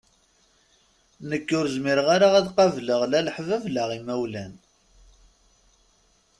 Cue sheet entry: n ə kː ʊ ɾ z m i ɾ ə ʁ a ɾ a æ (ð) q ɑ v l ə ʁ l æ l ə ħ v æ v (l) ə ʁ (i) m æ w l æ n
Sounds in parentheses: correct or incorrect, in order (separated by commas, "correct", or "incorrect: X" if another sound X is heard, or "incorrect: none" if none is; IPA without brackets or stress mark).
correct, correct, correct